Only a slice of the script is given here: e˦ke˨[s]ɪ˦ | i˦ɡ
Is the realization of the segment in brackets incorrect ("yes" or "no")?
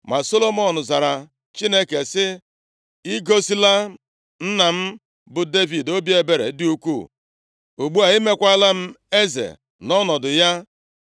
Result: no